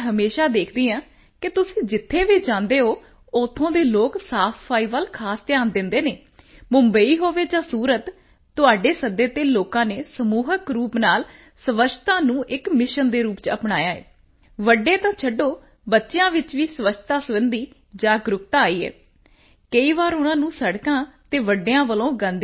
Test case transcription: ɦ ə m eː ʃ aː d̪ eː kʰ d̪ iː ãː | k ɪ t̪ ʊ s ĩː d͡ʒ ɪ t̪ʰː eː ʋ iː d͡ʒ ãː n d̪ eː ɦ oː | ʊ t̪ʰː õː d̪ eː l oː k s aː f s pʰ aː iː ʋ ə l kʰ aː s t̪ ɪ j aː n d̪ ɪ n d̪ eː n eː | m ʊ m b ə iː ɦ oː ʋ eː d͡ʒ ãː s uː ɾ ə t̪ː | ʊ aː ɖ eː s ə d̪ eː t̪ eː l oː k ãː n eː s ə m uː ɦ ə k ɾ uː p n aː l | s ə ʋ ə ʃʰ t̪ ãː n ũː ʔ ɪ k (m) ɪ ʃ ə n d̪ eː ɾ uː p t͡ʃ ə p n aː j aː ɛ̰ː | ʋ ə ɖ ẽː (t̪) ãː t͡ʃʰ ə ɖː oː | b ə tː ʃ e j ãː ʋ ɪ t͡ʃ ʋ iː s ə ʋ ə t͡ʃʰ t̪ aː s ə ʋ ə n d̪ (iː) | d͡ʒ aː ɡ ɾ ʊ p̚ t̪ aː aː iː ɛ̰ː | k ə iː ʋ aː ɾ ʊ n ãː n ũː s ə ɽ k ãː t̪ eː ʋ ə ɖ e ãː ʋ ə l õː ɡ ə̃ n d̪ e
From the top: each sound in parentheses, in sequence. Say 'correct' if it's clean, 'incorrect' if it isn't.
correct, correct, correct

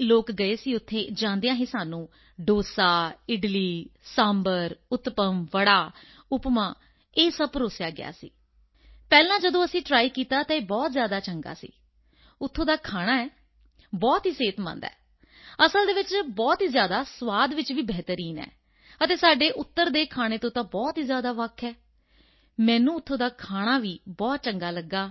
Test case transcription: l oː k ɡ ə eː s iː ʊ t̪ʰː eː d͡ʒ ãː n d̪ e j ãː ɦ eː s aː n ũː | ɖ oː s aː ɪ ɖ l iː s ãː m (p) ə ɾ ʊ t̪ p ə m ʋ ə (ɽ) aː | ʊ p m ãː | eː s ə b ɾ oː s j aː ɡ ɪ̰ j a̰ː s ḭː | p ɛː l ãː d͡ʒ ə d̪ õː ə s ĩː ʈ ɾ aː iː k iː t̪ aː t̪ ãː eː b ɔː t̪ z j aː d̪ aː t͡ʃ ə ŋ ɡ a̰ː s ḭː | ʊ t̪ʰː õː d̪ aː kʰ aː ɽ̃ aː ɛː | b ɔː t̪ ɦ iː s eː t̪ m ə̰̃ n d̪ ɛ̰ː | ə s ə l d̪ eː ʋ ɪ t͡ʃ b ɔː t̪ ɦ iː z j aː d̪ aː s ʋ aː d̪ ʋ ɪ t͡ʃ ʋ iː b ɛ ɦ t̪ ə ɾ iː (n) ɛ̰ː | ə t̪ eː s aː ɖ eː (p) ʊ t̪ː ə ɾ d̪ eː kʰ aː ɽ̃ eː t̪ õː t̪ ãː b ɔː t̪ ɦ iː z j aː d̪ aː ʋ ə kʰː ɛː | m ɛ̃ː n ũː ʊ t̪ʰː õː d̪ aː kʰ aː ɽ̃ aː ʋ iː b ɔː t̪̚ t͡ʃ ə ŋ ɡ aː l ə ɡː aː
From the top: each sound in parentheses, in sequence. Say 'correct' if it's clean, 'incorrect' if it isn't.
incorrect, correct, correct, incorrect

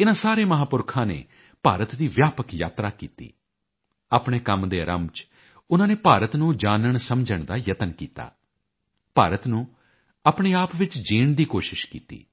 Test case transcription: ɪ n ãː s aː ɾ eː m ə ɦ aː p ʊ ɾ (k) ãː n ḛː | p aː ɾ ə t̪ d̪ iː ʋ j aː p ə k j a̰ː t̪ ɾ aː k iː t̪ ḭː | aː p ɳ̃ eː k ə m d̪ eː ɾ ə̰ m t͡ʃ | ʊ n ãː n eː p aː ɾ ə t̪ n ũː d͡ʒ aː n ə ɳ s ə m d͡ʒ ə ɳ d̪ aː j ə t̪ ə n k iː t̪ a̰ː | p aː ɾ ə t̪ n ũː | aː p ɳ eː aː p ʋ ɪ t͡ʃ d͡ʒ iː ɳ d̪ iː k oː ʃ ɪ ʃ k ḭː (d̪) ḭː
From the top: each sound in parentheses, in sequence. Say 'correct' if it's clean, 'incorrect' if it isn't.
incorrect, incorrect

